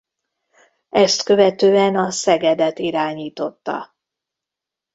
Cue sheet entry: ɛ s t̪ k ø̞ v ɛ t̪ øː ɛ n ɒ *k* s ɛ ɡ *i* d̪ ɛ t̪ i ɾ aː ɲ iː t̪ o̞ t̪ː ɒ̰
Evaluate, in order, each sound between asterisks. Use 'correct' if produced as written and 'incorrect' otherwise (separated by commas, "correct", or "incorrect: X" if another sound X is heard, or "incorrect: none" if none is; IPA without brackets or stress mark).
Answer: incorrect: none, incorrect: ɛ